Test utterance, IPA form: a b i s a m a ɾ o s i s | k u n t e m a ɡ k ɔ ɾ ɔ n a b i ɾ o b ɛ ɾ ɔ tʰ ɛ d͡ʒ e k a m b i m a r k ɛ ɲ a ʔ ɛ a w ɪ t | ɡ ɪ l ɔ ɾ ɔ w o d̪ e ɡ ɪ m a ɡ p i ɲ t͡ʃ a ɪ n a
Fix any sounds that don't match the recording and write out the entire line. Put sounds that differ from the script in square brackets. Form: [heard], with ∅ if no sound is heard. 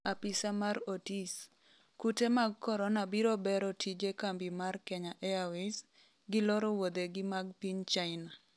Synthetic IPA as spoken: a [p] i s a m a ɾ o [t] i s | k u [∅] t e m a ɡ k ɔ ɾ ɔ n a b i ɾ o b ɛ ɾ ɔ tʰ [i] d͡ʒ e k a m b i m a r k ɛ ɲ a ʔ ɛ a w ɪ [s] | ɡ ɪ l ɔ ɾ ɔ w o d̪ e ɡ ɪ m a ɡ p i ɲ t͡ʃ a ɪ n a